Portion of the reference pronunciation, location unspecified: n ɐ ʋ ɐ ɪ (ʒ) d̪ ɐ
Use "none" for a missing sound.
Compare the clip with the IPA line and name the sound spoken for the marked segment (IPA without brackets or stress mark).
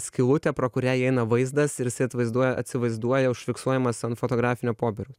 z